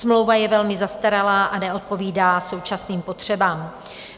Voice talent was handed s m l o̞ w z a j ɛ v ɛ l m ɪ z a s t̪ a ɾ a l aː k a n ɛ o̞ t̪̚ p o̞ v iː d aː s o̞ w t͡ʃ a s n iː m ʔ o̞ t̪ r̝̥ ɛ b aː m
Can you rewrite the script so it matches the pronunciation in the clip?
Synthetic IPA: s m l o̞ w v a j ɛ v ɛ l m ɪ z a s t̪ a ɾ a l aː ʔ a n ɛ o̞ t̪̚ p o̞ v iː d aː s o̞ w t͡ʃ a s n iː m p o̞ t̪ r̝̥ ɛ b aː m